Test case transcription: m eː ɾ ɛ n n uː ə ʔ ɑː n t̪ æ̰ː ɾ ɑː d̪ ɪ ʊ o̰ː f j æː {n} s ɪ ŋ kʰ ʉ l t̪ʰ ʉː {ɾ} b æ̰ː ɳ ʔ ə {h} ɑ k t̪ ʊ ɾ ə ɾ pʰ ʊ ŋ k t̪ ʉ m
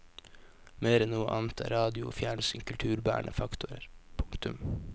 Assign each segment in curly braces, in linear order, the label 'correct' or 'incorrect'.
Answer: incorrect: ɳ, correct, incorrect: f

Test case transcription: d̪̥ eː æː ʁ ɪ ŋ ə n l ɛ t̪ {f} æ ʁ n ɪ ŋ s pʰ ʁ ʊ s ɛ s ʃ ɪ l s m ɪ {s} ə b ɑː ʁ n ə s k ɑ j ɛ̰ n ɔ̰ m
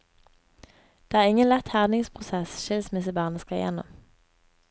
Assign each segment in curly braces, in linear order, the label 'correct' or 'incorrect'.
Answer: incorrect: h, correct

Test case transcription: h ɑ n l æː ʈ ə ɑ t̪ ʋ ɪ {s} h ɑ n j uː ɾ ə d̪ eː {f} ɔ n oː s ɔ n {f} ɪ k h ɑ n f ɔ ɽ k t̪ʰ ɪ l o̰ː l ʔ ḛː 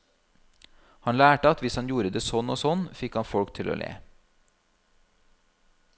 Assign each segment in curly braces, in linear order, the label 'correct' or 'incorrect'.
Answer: correct, incorrect: s, correct

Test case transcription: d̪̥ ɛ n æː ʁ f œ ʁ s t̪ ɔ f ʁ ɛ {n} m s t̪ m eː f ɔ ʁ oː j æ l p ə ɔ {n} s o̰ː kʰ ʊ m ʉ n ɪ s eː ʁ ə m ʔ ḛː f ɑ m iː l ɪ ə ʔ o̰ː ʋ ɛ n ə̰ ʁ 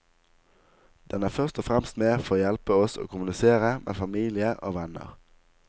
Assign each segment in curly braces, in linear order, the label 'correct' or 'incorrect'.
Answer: incorrect: none, incorrect: none

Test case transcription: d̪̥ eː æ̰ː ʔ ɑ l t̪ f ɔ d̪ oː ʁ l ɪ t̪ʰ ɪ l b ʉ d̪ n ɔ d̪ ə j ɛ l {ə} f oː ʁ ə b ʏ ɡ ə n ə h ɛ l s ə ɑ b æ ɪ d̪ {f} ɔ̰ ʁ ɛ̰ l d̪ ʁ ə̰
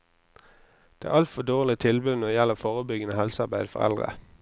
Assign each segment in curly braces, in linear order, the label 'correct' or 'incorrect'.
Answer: correct, correct

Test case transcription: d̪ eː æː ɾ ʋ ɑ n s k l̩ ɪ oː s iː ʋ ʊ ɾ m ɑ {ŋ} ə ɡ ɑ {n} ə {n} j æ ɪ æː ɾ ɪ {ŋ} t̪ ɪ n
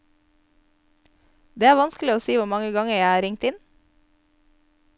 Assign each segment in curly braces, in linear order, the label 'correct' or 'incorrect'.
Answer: correct, incorrect: ŋ, incorrect: none, correct

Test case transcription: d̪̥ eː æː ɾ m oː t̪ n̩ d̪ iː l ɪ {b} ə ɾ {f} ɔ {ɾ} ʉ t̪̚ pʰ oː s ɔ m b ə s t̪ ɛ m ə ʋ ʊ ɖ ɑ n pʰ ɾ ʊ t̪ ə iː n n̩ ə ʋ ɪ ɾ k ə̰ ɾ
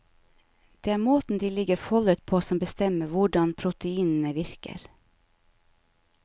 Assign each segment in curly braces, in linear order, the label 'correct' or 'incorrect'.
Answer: incorrect: ɡ, correct, incorrect: l

